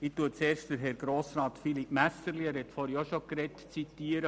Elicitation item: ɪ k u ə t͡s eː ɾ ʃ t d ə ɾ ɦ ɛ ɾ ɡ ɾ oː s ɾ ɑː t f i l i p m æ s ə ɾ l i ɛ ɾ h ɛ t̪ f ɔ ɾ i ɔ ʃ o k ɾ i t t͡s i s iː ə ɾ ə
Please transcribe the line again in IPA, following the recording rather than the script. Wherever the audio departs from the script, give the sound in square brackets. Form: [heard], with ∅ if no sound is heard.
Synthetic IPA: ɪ [t] u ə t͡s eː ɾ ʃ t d ə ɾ ɦ ɛ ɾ ɡ ɾ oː s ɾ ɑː t f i l i p m æ s ə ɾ l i ɛ ɾ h ɛ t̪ f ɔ ɾ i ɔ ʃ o k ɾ [ɛ] t t͡s i [t] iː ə ɾ ə